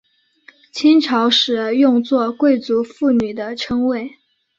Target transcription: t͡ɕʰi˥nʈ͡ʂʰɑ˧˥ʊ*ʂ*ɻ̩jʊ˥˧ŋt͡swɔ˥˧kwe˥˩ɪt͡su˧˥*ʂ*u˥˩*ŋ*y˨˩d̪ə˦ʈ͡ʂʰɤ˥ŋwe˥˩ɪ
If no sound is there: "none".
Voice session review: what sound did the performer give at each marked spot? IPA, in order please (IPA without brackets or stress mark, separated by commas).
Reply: ʂ, f, n